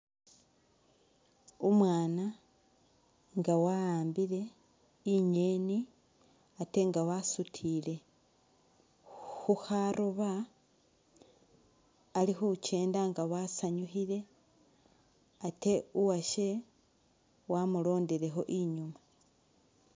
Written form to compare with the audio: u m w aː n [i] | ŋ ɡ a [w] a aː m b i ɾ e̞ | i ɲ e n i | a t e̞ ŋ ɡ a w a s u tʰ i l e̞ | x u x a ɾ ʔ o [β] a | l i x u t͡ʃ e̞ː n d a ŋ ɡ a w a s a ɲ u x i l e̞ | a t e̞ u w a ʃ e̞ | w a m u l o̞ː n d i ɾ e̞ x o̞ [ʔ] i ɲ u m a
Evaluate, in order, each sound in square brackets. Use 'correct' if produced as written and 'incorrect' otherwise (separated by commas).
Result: incorrect, correct, correct, correct